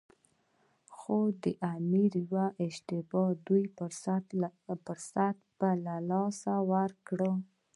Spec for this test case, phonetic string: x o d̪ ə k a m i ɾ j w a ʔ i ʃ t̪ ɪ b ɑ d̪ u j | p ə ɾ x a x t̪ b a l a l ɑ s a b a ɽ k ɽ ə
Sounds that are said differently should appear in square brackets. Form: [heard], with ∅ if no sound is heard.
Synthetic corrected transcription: x o d̪ ə [ʔ] a m i ɾ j w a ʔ [ɪ] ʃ t̪ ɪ b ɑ d̪ u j | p ə ɾ [s] a [∅] t̪ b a l a l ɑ s a [w] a [ɾ] k ɽ ə